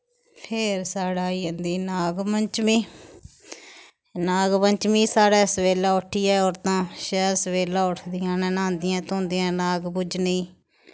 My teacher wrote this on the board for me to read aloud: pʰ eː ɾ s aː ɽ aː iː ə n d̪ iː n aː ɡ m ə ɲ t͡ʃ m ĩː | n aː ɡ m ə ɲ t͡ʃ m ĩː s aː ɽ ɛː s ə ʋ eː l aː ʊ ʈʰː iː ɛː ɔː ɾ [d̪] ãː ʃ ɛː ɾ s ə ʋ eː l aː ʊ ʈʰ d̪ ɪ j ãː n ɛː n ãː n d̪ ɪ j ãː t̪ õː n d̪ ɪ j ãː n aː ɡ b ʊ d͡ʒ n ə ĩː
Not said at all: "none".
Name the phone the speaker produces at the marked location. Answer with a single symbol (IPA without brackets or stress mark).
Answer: t̪